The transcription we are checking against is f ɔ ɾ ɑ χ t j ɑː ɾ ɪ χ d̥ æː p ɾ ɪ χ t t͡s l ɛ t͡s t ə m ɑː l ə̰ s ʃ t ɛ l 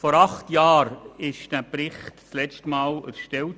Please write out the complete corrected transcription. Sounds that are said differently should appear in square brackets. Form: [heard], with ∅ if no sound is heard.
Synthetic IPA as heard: f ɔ ɾ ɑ χ t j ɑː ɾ ɪ [ʃ] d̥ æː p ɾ ɪ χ t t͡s l ɛ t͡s t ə m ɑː l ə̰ s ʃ t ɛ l